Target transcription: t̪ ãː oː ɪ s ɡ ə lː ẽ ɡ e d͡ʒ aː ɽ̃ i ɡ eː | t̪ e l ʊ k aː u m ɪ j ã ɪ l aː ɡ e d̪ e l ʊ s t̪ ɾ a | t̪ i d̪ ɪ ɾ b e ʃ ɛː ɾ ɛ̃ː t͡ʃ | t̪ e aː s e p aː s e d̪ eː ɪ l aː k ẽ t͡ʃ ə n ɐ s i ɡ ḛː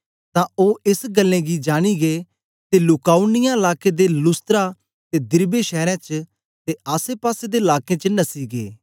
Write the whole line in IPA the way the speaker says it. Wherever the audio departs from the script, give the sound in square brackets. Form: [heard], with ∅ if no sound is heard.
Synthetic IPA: t̪ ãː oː ɪ s ɡ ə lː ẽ ɡ [i] d͡ʒ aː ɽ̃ i ɡ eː | t̪ e l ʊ k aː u [n] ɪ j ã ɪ l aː [k] e d̪ e l ʊ s t̪ ɾ a | t̪ [e] d̪ ɪ ɾ b e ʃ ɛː ɾ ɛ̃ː t͡ʃ | t̪ e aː s e p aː s e d̪ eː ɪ l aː k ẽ t͡ʃ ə n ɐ s i ɡ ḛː